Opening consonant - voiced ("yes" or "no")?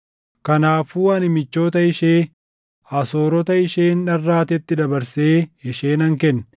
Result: no